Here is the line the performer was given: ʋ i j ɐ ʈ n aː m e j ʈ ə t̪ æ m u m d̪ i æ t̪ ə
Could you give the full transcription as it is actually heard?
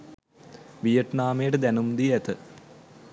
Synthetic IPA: ʋ i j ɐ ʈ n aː m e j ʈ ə d̪ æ n u m d̪ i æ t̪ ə

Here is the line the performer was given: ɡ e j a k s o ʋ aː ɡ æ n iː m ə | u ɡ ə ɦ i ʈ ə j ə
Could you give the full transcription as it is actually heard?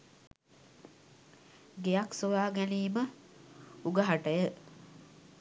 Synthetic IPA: ɡ e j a k s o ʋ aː ɡ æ n iː m ə | u ɡ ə ɦ a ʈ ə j ə

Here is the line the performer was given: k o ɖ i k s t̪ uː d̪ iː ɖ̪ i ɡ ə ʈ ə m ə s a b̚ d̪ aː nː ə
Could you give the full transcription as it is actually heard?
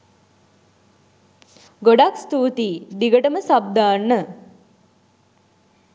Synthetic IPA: ɡ o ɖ a k s t̪ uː t̪ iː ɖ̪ i ɡ ə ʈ ə m ə s a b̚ d̪ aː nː ə

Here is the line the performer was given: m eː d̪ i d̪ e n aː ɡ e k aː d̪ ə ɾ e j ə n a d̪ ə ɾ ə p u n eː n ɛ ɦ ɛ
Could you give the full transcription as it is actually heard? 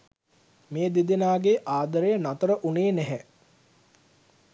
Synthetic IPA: m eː d̪ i d̪ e n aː ɡ e ʔ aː d̪ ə ɾ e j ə n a t̪ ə ɾ ə ʔ u n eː n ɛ ɦ ɛ

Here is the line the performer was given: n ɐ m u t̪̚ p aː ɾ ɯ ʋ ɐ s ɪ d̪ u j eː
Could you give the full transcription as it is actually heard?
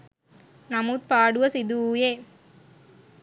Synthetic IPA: n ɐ m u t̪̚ p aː ɽ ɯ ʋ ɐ s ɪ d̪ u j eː

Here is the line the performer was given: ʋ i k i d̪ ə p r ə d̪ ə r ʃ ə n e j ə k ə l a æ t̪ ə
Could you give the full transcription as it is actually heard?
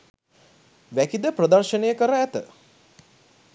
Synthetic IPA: ʋ æ k i d̪ ə p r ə d̪ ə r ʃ ə n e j ə k ə ɾ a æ t̪ ə

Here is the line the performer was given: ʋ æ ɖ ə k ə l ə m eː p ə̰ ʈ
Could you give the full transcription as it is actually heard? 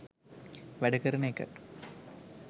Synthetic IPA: ʋ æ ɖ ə k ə ɾ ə n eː k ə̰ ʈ

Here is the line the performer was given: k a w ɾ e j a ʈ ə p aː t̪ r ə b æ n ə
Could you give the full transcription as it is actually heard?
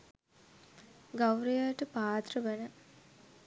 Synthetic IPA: ɡ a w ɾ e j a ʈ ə p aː t̪ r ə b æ n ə

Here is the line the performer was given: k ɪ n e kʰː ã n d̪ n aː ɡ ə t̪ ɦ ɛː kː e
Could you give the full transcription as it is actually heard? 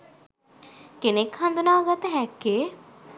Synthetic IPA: k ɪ n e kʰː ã n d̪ n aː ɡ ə t̪ ɦ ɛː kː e

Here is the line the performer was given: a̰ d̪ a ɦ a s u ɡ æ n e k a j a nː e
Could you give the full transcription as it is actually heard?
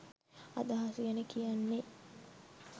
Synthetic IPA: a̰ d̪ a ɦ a s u ɡ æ n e k i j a nː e

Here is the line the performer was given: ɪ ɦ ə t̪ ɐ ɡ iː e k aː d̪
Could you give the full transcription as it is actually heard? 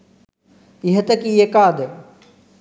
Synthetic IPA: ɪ ɦ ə t̪ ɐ k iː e k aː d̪

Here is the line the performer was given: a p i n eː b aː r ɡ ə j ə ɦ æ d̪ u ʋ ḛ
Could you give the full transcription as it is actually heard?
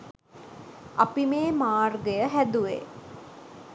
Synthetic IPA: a p i m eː m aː r ɡ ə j ə ɦ æ d̪ u ʋ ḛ

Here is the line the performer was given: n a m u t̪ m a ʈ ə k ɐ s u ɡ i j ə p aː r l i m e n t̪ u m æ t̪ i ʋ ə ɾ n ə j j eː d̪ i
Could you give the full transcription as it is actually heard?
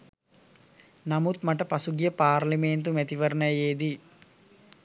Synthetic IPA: n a m u t̪ m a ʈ ə p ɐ s u ɡ i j ə p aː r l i m e n t̪ u m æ t̪ i ʋ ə ɾ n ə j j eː d̪ i

